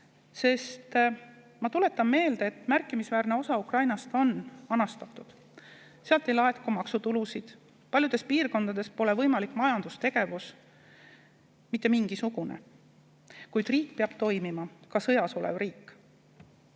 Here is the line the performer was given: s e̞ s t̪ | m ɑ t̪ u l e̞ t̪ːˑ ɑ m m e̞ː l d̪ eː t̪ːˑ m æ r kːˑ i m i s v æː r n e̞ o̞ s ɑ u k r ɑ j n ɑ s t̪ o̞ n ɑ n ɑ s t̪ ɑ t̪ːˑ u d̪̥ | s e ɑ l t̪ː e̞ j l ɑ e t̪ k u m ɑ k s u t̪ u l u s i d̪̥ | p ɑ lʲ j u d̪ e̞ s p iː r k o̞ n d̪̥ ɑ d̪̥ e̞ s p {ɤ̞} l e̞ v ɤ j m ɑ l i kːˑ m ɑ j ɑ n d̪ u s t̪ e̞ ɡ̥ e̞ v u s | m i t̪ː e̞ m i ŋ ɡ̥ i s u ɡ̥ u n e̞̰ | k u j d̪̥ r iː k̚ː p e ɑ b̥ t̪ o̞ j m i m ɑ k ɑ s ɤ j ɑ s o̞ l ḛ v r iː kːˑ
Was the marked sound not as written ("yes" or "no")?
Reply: yes